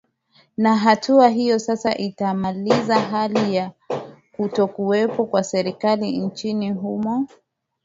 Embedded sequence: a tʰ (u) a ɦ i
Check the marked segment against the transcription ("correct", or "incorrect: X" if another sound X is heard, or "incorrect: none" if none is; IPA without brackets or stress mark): correct